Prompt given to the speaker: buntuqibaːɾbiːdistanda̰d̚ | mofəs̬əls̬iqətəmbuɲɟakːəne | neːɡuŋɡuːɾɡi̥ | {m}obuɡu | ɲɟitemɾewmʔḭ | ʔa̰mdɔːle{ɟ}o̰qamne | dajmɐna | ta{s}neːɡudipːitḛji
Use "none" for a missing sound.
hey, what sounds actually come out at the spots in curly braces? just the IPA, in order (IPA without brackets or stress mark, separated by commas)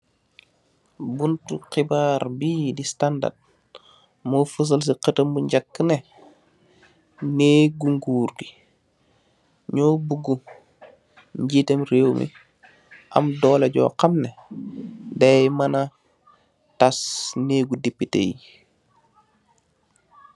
ɲ, ɟ, s